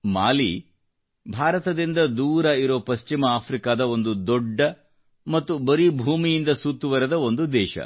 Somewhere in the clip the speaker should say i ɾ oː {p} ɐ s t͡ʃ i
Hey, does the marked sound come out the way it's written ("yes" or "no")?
yes